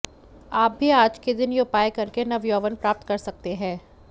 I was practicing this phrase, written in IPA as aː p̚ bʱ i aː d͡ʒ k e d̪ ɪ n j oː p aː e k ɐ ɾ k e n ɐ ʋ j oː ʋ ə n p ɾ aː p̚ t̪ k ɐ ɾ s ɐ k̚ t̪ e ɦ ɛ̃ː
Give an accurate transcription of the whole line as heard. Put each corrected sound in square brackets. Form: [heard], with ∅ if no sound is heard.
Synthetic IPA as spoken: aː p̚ bʱ i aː d͡ʒ k e d̪ ɪ n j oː p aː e k ɐ ɾ k e n ɐ ʋ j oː ʋ ə n p ɾ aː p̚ t̪ k ɐ ɾ s ɐ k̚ t̪ e ɦ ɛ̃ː